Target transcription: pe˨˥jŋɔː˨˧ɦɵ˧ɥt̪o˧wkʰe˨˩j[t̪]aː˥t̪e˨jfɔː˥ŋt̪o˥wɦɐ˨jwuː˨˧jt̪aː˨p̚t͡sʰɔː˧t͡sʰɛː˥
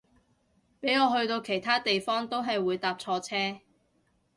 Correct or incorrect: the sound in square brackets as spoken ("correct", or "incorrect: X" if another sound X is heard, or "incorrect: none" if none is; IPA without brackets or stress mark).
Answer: incorrect: t̪ʰ